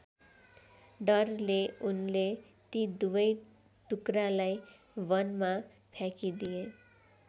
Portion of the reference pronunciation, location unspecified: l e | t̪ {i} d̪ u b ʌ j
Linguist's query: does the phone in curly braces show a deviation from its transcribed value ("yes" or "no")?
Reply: no